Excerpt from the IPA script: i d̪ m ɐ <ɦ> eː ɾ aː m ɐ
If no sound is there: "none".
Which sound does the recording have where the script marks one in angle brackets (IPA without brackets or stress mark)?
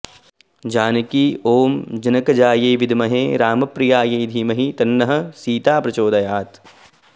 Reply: ɦ